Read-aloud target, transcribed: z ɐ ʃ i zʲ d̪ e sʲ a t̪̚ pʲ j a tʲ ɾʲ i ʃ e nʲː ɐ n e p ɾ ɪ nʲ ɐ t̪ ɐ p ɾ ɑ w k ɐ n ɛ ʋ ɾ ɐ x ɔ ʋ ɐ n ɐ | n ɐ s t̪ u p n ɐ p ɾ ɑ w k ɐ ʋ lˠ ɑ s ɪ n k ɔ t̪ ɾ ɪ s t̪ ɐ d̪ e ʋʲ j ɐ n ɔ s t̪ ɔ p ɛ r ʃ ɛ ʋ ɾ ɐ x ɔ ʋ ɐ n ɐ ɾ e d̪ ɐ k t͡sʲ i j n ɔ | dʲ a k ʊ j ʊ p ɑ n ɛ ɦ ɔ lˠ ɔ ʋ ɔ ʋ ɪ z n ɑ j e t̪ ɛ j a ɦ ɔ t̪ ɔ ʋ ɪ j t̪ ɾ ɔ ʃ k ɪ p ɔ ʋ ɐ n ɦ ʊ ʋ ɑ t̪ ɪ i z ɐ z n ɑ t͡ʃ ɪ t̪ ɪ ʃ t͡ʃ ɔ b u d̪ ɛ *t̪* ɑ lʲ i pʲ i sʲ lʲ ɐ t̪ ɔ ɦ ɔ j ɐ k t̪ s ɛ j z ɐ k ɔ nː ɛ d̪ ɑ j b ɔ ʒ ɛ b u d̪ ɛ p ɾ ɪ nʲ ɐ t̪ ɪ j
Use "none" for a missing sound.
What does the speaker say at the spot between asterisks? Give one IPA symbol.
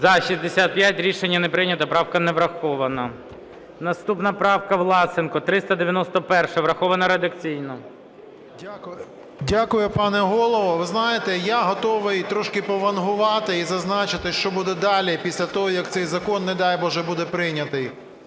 d̪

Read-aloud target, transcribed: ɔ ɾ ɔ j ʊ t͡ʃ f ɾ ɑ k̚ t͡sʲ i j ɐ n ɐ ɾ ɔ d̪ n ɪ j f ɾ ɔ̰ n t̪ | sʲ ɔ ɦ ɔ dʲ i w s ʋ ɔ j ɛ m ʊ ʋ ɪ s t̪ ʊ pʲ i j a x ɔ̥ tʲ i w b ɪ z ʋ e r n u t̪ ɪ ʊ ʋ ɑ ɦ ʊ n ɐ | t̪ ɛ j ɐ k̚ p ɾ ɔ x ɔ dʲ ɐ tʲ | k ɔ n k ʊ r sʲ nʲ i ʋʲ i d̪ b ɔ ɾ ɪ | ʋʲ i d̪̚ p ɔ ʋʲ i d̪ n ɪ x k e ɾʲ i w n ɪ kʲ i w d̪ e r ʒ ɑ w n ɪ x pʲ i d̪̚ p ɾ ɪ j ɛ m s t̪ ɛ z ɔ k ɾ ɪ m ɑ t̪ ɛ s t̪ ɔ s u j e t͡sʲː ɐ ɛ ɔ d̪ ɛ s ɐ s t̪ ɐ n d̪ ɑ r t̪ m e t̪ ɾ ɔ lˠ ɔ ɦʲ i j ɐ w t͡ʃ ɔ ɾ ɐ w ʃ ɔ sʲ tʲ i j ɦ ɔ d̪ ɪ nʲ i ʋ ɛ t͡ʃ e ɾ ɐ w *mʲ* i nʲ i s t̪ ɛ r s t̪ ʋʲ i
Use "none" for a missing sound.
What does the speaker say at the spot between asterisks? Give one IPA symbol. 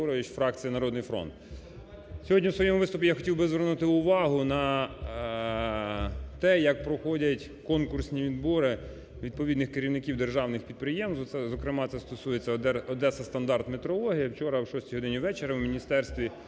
mʲ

